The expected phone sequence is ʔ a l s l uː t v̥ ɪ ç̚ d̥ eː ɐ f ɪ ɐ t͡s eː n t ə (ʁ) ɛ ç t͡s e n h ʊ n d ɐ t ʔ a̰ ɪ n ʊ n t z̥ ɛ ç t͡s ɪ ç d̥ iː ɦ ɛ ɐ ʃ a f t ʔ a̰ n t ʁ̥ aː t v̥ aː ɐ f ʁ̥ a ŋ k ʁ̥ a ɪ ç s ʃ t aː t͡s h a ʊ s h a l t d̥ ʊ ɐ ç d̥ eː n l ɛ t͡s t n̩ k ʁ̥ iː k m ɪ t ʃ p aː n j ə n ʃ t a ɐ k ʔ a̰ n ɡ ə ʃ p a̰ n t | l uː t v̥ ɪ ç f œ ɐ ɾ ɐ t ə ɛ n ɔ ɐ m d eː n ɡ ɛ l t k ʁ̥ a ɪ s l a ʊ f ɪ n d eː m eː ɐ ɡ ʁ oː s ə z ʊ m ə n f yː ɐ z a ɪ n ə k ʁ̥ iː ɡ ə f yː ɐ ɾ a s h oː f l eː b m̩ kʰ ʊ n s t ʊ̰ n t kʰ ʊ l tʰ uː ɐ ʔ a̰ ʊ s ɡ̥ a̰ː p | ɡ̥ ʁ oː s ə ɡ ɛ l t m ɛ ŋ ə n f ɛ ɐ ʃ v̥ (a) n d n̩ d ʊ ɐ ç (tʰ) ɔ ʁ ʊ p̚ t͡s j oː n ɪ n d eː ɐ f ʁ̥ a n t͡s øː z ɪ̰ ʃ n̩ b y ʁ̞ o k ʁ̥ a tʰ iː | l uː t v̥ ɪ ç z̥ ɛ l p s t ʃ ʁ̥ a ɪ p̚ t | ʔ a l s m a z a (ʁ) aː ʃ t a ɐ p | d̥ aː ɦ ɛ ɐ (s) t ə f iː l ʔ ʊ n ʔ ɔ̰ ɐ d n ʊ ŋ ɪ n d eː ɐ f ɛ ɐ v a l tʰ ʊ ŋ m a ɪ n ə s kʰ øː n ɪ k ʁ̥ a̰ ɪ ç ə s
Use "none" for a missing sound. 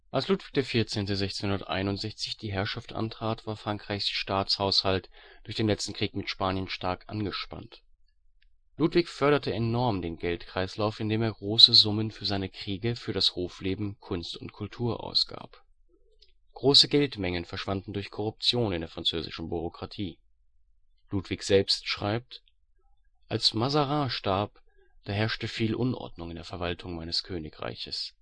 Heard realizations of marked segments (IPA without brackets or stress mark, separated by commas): z, a, kʰ, ʁ, ʃ